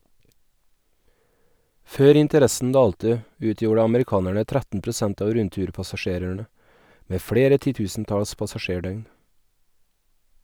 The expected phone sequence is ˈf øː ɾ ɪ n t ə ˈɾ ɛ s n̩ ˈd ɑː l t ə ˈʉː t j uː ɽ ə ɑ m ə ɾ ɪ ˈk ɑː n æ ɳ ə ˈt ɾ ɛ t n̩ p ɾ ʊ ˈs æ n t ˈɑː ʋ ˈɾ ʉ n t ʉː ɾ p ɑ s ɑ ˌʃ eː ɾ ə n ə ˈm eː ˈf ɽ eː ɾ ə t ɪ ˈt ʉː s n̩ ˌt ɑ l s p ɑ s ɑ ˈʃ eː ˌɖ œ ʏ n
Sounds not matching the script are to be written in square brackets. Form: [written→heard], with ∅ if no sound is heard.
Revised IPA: ˈf øː ɾ ɪ n t ə ˈɾ ɛ s n̩ ˈd ɑː l t ə ˈʉː t j uː ɽ ə ɑ m ə ɾ ɪ ˈk ɑː n æ ɳ ə ˈt ɾ [ɛ→æ] t n̩ p ɾ ʊ ˈs æ n t ˈɑː ʋ ˈɾ ʉ n t ʉː ɾ p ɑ s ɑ ˌʃ eː ɾ ə [n→ɳ] ə ˈm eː ˈf ɽ eː ɾ ə t ɪ ˈt ʉː s n̩ ˌt ɑ l s p ɑ s ɑ ˈʃ eː ˌɖ œ ʏ n